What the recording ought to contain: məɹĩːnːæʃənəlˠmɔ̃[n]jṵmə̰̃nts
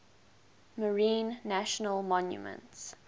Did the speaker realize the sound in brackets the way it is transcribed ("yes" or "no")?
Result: yes